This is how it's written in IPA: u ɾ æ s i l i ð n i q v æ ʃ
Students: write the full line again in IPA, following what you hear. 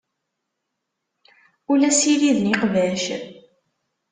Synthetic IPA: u l æ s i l i ð n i q v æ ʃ